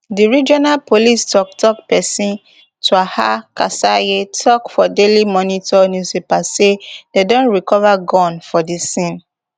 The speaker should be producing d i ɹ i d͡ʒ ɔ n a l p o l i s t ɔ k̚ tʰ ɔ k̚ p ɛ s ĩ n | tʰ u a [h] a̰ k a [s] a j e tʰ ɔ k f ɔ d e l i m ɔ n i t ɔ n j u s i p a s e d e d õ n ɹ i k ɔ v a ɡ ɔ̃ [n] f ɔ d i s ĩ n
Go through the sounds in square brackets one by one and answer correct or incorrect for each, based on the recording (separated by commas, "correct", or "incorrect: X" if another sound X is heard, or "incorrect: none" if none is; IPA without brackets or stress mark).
correct, correct, correct